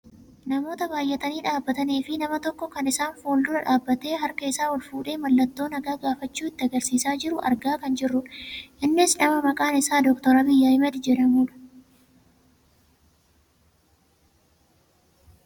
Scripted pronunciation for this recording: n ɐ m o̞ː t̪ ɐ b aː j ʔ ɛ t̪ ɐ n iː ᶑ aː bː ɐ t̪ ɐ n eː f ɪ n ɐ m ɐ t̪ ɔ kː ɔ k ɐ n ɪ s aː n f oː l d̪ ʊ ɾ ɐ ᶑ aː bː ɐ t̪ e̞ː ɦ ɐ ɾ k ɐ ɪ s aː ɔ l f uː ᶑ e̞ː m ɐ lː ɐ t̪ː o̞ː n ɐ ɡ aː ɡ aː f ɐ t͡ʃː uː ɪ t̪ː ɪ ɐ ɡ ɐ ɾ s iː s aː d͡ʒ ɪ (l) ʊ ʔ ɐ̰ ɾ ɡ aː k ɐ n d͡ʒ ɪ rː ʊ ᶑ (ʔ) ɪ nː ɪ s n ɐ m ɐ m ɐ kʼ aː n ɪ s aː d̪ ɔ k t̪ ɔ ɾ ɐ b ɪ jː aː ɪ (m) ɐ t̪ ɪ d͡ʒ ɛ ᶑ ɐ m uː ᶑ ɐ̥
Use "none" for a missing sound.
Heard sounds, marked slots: ɾ, ʔ, m

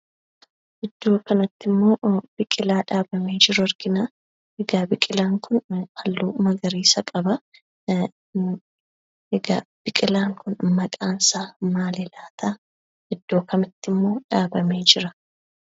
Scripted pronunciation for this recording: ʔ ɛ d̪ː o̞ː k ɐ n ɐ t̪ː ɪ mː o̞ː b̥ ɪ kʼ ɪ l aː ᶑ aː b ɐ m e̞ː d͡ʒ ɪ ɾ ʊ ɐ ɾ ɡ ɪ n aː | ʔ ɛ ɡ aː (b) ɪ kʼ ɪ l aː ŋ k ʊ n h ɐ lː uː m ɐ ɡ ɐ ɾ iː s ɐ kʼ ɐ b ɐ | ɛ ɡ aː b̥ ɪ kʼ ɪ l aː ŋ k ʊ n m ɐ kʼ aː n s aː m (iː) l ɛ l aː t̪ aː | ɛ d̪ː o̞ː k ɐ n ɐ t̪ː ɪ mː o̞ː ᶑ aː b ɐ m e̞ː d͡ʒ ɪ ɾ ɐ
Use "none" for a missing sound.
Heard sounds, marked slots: b, aː

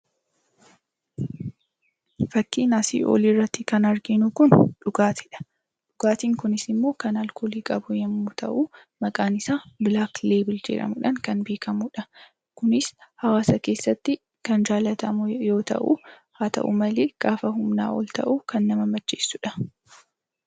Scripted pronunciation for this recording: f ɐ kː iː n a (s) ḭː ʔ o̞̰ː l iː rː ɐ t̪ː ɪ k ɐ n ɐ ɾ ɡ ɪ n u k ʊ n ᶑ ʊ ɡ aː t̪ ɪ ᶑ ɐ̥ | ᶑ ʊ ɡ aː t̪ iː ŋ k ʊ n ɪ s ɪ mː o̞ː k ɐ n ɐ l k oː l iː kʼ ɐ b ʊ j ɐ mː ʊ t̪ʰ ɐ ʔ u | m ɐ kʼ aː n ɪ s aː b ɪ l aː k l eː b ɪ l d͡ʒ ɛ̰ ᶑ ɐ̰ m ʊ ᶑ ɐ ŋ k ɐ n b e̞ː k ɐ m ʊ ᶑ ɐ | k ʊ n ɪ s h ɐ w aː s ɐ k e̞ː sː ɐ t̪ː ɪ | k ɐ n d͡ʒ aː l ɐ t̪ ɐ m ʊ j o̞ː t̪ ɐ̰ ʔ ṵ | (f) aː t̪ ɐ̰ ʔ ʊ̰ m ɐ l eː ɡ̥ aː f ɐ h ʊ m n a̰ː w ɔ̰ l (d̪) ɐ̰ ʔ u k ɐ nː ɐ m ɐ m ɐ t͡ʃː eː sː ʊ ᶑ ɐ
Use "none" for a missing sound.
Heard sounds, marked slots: s, h, t̪

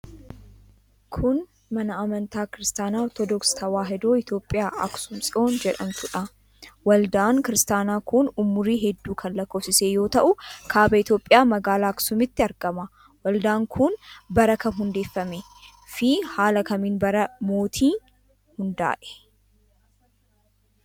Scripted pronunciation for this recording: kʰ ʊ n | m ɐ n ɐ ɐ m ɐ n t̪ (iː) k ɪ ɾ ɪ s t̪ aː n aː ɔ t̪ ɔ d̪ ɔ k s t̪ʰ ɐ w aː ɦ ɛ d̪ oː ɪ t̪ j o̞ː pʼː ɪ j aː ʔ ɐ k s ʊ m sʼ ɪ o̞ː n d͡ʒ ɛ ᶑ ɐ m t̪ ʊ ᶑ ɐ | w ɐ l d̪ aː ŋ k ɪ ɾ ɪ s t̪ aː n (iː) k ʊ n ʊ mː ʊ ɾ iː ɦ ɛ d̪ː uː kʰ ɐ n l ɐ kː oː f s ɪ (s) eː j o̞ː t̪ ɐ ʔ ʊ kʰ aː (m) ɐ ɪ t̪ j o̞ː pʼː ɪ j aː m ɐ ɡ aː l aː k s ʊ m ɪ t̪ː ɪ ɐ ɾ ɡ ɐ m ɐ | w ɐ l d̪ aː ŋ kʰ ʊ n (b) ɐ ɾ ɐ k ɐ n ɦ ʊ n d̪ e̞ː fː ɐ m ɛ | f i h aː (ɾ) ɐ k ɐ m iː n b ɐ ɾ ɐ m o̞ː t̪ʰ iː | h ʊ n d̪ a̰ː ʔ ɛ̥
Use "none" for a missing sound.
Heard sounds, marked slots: aː, aː, s, b, b, l

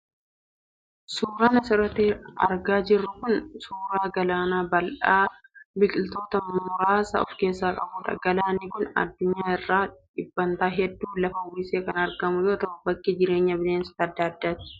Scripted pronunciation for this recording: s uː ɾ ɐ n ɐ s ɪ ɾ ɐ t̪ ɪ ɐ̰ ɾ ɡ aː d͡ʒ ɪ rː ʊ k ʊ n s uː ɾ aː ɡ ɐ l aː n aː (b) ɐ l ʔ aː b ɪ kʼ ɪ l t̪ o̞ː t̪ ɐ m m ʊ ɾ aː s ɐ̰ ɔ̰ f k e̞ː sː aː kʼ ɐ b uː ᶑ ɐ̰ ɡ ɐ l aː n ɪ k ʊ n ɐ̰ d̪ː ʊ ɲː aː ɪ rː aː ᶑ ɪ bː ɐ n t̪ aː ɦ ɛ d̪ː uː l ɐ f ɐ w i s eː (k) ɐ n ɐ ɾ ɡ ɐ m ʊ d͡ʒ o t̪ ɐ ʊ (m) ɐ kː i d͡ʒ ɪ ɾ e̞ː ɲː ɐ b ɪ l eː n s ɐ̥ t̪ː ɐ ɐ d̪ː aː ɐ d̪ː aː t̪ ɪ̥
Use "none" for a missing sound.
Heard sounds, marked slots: b, k, b

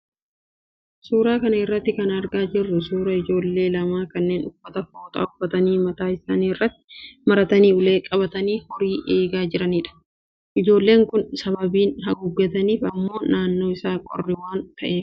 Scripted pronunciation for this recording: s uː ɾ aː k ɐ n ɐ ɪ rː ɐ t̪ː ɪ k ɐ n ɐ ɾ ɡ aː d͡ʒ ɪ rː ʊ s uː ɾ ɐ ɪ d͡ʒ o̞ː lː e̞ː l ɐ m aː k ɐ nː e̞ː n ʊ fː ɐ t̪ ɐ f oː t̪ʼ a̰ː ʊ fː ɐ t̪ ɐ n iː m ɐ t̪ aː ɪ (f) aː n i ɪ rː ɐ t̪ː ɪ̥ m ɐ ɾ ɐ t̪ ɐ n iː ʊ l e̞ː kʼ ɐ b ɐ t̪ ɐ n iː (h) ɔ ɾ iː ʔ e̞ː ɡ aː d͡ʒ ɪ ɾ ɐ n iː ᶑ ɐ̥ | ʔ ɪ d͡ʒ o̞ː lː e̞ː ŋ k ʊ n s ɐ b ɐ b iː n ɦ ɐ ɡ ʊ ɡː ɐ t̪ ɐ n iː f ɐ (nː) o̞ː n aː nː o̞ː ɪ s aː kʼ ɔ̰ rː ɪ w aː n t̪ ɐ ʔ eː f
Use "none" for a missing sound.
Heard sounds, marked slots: s, h, mː

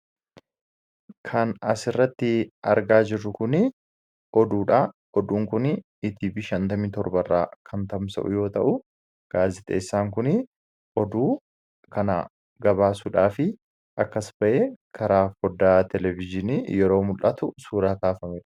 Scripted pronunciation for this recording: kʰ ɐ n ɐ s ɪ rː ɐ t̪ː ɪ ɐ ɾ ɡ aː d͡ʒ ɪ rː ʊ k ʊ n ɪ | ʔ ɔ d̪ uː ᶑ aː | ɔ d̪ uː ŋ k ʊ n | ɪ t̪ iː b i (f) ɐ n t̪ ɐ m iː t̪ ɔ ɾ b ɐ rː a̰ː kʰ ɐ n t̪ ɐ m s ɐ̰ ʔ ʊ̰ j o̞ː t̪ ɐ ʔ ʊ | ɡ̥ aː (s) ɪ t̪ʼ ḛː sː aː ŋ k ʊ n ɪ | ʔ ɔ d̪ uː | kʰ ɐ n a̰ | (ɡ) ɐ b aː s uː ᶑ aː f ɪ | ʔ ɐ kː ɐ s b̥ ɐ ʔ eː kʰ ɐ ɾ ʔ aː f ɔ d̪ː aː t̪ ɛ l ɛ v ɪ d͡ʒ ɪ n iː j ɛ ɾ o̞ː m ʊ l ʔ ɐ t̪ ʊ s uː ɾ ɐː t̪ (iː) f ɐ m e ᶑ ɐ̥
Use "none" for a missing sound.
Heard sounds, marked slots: ʃ, z, ɡ, aː

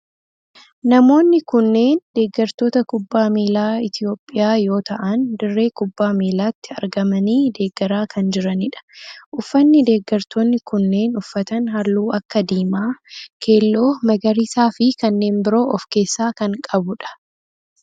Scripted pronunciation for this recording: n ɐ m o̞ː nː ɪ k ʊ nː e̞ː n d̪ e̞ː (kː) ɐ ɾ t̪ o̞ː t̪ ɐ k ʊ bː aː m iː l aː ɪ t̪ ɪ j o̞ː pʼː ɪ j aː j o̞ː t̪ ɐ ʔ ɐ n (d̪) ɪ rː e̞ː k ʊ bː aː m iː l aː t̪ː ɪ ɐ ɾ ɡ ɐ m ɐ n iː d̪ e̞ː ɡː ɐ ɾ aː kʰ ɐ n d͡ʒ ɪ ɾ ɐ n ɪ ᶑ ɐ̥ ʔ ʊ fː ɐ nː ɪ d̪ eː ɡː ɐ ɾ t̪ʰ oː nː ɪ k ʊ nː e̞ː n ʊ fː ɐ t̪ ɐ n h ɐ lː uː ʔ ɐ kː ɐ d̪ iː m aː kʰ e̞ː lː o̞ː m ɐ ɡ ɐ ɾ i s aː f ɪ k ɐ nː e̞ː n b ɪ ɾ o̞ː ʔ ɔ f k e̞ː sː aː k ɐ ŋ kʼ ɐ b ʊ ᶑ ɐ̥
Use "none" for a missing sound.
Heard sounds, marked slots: ɡː, d̪

